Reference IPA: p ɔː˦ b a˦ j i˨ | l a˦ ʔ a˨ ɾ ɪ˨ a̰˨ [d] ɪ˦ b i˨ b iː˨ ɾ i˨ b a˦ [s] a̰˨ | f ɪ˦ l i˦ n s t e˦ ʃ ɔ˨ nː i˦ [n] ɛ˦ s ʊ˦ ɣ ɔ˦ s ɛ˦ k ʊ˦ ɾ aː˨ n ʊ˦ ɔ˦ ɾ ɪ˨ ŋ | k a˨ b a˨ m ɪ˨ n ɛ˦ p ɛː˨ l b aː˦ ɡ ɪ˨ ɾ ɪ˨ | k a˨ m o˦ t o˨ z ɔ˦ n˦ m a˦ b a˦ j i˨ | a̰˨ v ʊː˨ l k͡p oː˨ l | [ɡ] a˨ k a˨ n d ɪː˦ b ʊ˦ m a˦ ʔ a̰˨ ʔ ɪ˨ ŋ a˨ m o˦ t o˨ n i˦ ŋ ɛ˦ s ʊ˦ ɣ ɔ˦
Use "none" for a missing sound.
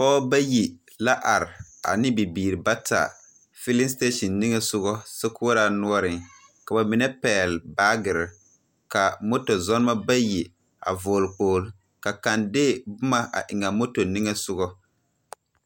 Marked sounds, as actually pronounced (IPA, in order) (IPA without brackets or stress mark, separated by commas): n, t, ŋ, k